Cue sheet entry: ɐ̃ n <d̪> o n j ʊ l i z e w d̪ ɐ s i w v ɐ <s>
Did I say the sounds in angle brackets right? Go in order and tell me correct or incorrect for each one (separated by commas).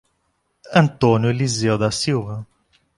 incorrect, incorrect